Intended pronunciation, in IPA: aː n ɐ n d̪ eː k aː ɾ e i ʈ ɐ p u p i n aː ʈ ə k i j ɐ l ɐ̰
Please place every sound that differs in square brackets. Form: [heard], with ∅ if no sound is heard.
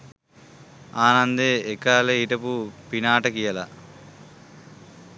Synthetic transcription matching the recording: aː n ɐ n d̪ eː k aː [l] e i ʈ ɐ p u p i n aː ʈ [ɐ] k i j ɐ l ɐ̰